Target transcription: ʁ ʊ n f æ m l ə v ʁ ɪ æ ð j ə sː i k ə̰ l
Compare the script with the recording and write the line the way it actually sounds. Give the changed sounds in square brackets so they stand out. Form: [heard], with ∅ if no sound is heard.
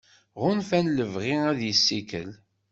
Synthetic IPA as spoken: ʁ ʊ n f æ [n] l ə v ʁ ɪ æ ð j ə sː i k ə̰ l